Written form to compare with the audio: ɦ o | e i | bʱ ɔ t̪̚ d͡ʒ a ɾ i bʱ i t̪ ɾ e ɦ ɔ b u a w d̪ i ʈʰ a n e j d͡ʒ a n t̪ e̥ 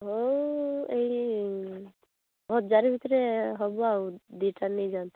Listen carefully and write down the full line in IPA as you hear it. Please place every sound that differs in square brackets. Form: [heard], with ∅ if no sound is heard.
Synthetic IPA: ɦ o | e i | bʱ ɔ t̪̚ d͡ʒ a ɾ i bʱ i t̪ ɾ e ɦ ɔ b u a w d̪ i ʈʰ a n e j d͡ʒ a n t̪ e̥

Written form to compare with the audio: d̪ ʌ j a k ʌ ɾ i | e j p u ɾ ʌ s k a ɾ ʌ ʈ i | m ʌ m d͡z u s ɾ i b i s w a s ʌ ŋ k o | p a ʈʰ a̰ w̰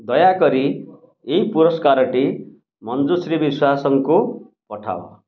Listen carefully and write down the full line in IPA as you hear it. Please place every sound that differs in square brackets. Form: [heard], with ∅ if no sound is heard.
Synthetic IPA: d̪ ʌ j a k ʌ ɾ i | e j p u ɾ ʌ s k a ɾ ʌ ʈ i | m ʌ [n] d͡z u s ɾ i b i s w a s ʌ ŋ k o | p [ʌ] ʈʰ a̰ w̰

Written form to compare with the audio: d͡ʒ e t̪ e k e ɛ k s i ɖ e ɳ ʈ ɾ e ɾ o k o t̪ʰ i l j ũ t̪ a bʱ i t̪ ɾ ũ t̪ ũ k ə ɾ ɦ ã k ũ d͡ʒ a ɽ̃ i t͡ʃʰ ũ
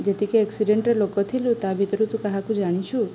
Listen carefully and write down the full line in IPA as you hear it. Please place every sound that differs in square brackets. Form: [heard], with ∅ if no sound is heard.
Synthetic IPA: d͡ʒ e t̪ [i] k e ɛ k s i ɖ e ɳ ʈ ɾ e [l] o k o t̪ʰ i l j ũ t̪ a bʱ i t̪ ɾ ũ t̪ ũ k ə [∅] ɦ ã k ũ d͡ʒ a ɽ̃ i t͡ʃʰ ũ

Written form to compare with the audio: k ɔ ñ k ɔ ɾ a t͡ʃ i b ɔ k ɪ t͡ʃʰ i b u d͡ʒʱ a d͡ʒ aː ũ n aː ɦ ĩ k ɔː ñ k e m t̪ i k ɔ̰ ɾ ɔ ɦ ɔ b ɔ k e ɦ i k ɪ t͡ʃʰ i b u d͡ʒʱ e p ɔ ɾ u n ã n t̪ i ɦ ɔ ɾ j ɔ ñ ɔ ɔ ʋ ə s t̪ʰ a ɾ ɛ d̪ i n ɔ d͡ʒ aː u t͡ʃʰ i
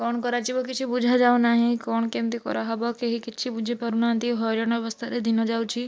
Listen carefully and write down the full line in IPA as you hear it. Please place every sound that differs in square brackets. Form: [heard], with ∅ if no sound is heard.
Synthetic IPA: k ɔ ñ k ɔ ɾ a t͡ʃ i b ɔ k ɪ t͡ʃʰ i b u d͡ʒʱ a d͡ʒ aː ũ n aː ɦ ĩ k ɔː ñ k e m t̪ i k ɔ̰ ɾ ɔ ɦ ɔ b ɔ k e ɦ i k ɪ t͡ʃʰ i b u d͡ʒʱ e p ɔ ɾ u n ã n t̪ i ɦ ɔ ɾ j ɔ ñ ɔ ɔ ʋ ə s t̪ʰ a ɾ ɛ d̪ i n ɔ d͡ʒ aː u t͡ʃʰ i

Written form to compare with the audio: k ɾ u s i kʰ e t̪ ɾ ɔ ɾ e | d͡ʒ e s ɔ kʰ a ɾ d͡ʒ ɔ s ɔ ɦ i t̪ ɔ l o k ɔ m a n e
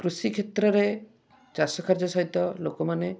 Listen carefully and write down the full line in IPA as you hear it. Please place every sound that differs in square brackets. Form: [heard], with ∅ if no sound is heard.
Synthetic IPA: k ɾ u s i kʰ e t̪ ɾ ɔ ɾ e | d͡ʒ [a] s ɔ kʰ a ɾ d͡ʒ ɔ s ɔ ɦ i t̪ ɔ l o k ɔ m a n e

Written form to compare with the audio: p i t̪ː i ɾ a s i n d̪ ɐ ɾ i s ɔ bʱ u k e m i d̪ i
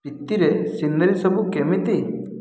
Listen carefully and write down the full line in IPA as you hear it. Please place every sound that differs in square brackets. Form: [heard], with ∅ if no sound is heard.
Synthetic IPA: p i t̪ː i ɾ [e] s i n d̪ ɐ ɾ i s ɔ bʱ u k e m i [t̪] i

